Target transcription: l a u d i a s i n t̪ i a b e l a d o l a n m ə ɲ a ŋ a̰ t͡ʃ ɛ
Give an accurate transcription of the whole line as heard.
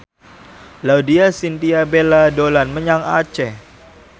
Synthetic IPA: l a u d i a s i n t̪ i a b e l a d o l a n m ə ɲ a ŋ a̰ t͡ʃ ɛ